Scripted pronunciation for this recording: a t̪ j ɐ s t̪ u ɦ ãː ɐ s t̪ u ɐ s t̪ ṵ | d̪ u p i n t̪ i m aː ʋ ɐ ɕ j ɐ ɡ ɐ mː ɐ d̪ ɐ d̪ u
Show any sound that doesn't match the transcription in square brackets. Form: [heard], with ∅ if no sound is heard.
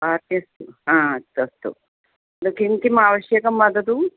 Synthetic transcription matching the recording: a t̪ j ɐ s t̪ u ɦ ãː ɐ s t̪ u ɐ s t̪ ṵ | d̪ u [k] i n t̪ i m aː ʋ ɐ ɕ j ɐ [k] ɐ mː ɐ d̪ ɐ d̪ u